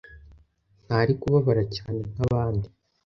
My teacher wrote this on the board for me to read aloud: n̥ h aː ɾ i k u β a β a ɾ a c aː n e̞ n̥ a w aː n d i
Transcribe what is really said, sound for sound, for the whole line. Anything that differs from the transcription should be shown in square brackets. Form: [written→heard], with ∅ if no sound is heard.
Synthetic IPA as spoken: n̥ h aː ɾ i k u β a β a ɾ a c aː n e̞ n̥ a [w→β] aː n d i